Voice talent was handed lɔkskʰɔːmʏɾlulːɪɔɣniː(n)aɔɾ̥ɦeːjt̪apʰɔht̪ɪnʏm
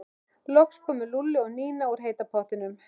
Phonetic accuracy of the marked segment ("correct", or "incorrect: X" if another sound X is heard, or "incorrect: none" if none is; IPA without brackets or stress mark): correct